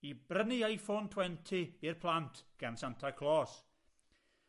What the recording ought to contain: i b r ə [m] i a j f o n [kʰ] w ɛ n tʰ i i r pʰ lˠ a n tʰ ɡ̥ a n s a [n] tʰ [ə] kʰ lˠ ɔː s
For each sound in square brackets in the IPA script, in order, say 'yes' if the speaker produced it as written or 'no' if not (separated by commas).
no, no, yes, no